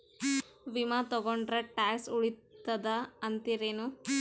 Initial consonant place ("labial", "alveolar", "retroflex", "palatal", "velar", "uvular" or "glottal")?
labial